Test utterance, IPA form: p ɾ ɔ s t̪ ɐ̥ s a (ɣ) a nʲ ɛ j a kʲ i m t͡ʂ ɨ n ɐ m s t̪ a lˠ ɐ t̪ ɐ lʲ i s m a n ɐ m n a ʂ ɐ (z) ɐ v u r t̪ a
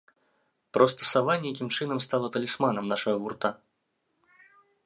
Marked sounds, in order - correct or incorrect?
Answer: incorrect: v, incorrect: ɣ

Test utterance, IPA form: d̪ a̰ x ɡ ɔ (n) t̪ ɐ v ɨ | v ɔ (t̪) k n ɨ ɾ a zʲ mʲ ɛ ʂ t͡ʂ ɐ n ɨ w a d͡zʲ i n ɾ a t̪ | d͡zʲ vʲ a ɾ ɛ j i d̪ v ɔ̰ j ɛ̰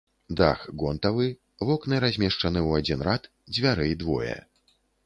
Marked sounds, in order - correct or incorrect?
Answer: correct, incorrect: none

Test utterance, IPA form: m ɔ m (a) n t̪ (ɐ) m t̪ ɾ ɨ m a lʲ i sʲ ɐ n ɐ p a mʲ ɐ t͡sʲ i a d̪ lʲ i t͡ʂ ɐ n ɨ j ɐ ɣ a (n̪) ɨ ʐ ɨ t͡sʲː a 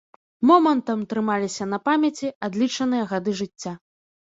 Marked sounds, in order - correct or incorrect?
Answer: incorrect: ɐ, correct, incorrect: d̪

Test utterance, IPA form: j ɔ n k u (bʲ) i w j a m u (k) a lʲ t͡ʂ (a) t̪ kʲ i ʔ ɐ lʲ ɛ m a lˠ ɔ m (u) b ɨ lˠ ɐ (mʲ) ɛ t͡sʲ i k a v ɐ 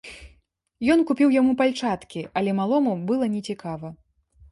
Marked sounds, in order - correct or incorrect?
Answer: incorrect: pʲ, incorrect: p, correct, correct, incorrect: nʲ

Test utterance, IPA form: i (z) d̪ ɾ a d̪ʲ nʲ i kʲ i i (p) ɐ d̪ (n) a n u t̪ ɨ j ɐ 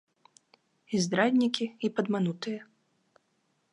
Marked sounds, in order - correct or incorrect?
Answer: correct, correct, incorrect: m

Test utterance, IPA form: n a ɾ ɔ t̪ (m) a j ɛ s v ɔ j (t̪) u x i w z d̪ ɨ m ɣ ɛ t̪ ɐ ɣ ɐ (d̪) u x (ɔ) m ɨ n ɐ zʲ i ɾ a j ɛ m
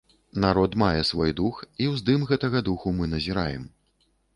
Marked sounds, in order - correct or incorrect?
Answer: correct, incorrect: d̪, correct, incorrect: u

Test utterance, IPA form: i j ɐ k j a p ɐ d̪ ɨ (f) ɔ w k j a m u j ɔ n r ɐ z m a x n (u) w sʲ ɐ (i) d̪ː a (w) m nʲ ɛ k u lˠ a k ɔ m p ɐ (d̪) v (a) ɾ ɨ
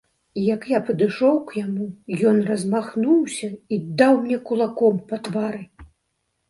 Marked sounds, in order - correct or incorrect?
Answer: incorrect: ʂ, correct, correct, correct, incorrect: t̪, correct

